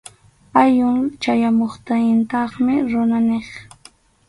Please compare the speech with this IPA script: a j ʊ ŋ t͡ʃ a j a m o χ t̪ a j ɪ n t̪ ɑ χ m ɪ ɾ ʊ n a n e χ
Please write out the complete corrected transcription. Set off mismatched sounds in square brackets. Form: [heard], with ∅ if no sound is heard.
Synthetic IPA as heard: a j ʊ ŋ t͡ʃ a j a m o χ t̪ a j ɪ n t̪ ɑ χ m ɪ ɾ ʊ n a n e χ